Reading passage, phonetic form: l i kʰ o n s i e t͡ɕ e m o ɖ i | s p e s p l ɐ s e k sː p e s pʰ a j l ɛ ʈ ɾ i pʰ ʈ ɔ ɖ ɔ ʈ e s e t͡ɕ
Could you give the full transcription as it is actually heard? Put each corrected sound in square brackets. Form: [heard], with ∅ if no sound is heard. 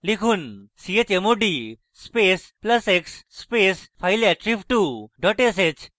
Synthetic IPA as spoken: l i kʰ [u] n s i e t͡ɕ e m o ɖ i | s p e s p l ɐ s e k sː p e s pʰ a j l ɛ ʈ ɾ i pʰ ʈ [u] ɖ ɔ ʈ e s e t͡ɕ